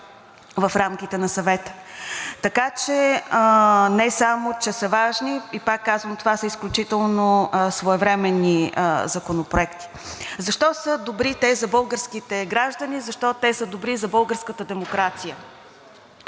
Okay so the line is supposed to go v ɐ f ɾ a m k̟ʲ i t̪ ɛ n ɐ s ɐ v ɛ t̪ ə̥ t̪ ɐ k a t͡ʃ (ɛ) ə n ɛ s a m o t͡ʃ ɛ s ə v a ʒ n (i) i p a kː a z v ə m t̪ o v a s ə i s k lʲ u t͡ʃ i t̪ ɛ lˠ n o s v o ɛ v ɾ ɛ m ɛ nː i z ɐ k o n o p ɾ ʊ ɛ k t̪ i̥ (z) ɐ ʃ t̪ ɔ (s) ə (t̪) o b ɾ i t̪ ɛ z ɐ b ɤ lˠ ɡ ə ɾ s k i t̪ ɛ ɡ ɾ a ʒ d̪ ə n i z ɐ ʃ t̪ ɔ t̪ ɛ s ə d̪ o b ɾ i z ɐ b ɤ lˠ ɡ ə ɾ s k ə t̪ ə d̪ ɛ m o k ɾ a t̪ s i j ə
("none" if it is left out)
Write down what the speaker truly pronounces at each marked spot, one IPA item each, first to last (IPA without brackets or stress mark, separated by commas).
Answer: ɛ, i, z, s, d̪